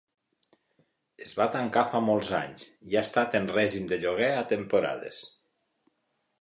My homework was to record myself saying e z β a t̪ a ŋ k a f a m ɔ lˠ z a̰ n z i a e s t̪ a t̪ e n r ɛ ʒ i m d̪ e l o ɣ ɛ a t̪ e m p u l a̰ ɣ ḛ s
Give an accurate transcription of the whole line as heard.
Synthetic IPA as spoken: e z β a t̪ a ŋ k a f a m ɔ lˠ z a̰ ɲ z i a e s t̪ a t̪ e n r ɛ ʒ i m d̪ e ʎ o ɣ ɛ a t̪ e m p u ɾ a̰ ð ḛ s